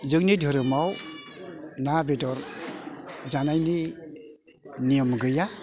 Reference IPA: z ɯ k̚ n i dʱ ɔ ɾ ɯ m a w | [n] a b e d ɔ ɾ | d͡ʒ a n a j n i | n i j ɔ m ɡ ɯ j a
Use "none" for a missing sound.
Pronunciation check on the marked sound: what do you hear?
n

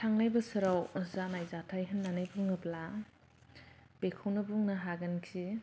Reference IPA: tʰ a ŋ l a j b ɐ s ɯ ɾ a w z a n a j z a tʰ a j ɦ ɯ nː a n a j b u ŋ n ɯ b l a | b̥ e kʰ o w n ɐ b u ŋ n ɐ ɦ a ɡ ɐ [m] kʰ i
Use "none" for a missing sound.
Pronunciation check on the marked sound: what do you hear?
n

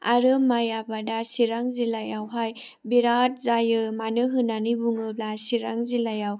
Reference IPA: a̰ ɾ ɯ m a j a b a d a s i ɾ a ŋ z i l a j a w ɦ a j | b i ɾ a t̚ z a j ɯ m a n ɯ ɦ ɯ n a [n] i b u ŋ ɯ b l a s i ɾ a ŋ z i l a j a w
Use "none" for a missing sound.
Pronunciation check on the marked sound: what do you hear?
n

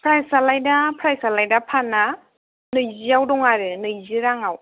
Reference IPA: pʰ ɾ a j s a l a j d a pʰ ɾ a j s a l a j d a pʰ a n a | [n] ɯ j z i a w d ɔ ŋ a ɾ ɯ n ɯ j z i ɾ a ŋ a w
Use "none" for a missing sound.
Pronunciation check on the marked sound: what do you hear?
n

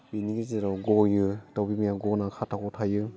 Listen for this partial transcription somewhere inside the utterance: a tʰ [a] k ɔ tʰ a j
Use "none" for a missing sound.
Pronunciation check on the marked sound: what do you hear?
a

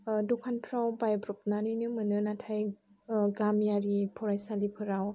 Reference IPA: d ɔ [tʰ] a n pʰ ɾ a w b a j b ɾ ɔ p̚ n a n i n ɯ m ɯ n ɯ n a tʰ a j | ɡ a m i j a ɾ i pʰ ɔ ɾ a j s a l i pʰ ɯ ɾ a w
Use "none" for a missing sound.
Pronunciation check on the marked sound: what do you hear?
kʰ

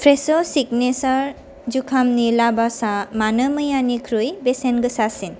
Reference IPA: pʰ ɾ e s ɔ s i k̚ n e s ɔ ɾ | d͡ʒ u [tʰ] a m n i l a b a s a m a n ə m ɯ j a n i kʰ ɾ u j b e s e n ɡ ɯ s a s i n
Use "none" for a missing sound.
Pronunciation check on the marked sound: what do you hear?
kʰ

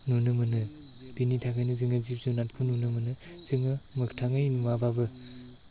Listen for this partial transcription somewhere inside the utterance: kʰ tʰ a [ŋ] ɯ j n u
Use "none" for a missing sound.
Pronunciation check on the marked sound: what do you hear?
ŋ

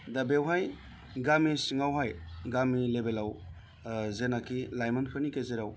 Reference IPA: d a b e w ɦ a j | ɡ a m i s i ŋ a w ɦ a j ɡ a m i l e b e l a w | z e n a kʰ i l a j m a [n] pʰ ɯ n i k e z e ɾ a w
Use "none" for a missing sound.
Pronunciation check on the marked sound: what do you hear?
n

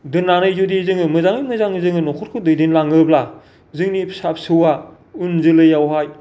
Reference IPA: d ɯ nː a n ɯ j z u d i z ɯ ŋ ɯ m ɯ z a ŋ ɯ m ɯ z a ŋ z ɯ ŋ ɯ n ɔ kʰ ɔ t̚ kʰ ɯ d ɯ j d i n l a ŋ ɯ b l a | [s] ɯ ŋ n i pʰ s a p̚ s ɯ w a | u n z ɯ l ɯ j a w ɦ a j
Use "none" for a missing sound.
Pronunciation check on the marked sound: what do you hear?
z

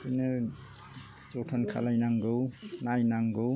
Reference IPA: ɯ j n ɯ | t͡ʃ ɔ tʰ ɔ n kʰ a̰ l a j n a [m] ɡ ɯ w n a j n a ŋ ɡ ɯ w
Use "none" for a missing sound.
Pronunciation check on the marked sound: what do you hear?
ŋ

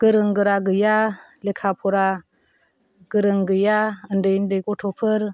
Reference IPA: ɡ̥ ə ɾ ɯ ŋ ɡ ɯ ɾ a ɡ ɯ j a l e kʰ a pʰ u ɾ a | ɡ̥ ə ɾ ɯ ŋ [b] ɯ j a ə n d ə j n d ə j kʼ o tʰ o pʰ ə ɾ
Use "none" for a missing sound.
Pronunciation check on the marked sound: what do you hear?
ɡ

